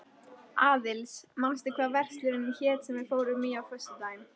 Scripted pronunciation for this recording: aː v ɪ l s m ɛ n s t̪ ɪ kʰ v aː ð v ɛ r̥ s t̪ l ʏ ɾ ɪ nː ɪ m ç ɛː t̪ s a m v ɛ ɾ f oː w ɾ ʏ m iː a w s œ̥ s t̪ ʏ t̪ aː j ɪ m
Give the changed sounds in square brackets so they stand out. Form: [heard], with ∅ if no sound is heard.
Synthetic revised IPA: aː [ð] ɪ l s m [a] n s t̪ ɪ kʰ v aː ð v ɛ r̥ s t̪ l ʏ ɾ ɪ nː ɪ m ç ɛː t̪ s [ɛ] m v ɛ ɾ f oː w ɾ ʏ m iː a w [f] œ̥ s t̪ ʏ t̪ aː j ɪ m